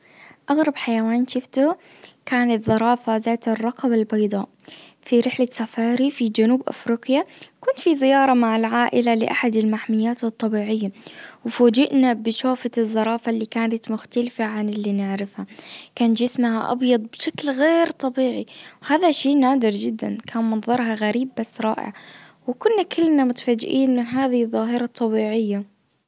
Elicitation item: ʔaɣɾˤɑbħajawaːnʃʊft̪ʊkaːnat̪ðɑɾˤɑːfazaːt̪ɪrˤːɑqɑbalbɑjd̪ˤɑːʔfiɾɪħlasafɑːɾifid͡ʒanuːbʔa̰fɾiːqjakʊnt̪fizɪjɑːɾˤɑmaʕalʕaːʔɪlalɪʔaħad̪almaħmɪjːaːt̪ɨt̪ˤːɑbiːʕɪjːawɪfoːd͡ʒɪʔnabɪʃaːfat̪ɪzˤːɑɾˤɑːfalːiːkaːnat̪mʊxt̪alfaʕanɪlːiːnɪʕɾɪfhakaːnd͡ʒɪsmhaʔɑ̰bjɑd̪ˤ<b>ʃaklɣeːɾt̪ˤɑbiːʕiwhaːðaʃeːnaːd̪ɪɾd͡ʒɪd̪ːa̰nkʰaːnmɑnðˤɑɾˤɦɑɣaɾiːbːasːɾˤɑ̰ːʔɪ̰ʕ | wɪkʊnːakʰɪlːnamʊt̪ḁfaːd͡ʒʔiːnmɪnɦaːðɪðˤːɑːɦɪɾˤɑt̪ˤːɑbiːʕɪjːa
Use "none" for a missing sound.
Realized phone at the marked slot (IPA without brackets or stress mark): b